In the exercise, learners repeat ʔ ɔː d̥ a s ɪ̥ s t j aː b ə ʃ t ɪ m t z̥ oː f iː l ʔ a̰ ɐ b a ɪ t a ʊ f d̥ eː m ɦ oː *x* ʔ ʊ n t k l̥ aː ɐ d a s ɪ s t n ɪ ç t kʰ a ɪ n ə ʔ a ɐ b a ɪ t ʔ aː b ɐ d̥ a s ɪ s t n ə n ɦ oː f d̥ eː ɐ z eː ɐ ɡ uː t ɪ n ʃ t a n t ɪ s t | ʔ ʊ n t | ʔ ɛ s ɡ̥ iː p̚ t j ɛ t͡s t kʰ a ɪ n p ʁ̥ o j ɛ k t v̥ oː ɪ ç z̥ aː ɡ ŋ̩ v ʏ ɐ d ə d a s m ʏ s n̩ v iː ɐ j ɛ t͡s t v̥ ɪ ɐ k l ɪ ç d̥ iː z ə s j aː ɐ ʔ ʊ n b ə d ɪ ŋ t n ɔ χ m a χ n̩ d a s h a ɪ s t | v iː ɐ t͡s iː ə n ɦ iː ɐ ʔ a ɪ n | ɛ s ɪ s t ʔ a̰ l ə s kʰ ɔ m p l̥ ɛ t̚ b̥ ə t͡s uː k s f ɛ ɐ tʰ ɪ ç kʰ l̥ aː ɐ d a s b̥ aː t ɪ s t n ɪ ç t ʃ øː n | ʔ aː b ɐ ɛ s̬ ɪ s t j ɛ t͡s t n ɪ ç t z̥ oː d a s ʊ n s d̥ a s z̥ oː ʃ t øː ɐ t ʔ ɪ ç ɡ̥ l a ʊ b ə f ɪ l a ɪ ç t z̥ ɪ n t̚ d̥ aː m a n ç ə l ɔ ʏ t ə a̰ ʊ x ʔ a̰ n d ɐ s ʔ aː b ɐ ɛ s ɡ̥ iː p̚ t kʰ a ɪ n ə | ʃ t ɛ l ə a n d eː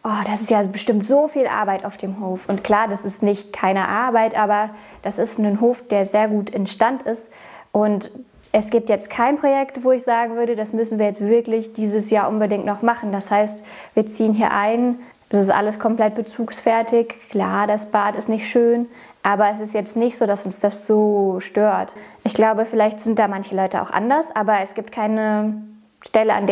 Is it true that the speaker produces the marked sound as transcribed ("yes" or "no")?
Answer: no